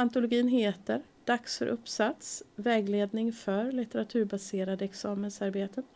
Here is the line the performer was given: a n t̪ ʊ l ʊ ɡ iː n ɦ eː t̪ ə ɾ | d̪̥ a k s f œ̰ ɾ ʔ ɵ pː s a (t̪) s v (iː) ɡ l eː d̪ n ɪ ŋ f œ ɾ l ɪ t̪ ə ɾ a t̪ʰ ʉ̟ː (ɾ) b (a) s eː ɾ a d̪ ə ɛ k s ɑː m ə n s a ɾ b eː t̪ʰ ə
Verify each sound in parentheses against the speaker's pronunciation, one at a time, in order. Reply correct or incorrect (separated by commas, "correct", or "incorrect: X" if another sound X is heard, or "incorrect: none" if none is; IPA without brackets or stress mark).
correct, incorrect: ɛː, correct, correct